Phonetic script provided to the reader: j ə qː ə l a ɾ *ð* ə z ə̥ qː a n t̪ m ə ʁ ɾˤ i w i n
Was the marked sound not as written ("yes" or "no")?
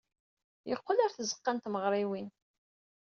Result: yes